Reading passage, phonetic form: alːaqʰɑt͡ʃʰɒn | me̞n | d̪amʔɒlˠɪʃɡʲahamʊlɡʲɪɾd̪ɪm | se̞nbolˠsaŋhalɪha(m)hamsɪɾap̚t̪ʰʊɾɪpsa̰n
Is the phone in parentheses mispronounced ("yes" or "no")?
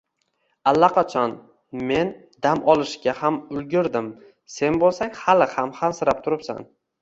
no